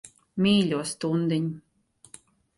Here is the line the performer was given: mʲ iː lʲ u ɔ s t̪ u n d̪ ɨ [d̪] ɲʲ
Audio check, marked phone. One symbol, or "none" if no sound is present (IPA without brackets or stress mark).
none